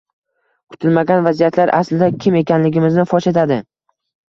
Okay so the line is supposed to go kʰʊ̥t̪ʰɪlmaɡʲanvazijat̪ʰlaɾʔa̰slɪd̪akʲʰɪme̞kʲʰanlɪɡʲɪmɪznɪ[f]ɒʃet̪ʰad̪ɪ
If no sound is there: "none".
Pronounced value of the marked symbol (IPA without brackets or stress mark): f